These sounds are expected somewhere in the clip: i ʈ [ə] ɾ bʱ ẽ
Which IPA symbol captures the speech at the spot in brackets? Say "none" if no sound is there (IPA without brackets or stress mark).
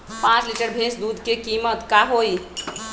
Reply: ə